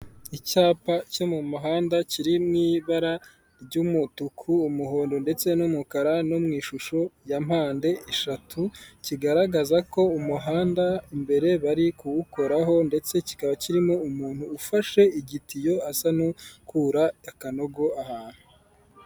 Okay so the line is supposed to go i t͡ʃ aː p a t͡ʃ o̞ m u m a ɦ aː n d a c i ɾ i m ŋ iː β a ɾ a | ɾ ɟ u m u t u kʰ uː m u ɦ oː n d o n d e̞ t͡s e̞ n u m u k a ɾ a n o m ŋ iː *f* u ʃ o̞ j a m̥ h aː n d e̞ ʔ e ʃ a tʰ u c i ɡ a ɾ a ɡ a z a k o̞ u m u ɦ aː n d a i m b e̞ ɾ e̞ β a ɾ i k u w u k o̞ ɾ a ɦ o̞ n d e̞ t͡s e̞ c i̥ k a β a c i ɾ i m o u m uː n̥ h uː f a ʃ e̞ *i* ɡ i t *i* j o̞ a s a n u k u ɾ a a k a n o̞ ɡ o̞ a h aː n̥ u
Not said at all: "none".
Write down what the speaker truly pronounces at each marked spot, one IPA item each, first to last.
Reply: ʃ, i, i

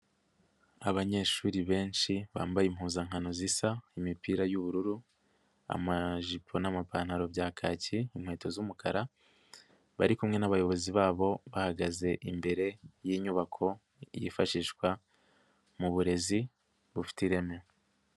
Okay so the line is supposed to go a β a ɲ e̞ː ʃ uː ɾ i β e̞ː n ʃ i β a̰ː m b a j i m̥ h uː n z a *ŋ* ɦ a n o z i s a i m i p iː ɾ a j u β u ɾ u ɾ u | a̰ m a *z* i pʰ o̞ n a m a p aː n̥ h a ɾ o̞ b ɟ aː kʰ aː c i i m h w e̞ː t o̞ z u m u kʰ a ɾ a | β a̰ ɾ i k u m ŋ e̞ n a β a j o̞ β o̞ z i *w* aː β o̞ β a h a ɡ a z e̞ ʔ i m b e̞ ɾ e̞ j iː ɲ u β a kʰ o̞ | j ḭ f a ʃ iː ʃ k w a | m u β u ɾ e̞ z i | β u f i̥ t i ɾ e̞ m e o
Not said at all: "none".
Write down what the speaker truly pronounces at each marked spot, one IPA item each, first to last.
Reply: ŋ, ʒ, β

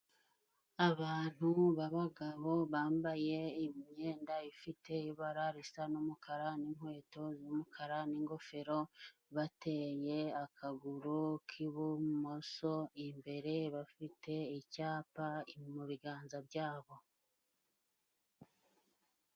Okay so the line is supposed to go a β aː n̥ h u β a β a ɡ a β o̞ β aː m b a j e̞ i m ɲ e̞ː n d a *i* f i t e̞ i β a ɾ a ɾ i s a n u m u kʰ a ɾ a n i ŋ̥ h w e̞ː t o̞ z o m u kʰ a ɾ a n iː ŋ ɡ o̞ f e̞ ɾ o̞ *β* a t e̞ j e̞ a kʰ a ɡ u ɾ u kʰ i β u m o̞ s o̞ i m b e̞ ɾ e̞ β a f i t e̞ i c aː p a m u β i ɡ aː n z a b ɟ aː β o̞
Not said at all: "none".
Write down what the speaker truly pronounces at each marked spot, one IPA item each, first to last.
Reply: i, β

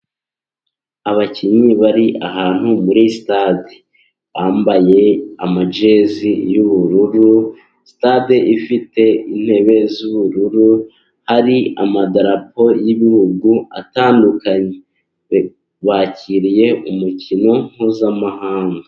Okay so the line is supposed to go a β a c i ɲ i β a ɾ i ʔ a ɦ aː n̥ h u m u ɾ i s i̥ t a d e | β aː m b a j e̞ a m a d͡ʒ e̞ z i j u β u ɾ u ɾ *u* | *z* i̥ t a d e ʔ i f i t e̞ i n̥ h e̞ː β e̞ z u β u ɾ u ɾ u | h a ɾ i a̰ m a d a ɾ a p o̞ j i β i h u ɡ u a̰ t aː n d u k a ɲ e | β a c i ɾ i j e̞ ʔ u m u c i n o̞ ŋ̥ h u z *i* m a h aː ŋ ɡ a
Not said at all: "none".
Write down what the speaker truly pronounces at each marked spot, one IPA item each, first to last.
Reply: u, s, a

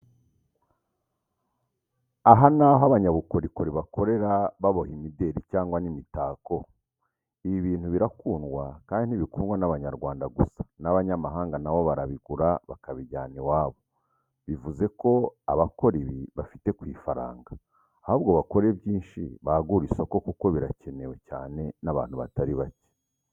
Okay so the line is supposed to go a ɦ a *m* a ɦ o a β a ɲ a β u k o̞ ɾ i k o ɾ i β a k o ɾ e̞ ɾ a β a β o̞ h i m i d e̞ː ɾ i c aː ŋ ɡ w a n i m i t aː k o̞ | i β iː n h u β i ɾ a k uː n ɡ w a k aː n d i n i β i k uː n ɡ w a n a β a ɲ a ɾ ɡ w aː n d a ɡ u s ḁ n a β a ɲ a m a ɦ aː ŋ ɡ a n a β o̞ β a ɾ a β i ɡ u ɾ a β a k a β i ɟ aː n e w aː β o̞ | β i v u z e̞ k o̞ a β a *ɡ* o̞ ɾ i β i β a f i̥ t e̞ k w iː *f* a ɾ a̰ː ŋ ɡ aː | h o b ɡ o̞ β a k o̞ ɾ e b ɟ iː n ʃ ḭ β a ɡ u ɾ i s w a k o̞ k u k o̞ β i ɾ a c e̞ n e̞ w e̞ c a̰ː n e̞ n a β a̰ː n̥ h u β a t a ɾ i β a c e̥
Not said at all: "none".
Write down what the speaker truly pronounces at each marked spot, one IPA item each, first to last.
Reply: n, k, f

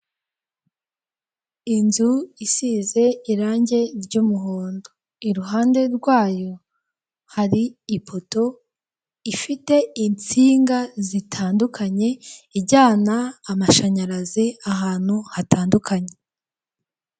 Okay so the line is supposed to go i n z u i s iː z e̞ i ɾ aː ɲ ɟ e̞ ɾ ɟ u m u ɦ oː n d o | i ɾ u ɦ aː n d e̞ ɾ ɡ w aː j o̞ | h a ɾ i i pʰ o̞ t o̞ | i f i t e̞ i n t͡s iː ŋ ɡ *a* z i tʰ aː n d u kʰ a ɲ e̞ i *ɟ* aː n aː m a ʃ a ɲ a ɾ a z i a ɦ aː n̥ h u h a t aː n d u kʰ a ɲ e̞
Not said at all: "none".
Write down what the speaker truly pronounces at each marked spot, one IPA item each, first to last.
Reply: a, ɟ

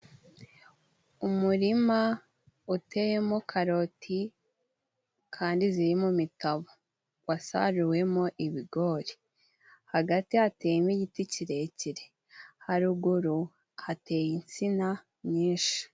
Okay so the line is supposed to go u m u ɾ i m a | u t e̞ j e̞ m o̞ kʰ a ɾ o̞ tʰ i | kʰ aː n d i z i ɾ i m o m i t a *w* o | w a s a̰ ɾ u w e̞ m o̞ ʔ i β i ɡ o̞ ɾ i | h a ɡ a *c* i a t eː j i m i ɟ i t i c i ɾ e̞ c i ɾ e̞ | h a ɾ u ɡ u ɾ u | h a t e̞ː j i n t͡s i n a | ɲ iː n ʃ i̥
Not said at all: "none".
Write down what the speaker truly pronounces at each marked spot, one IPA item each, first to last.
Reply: β, t

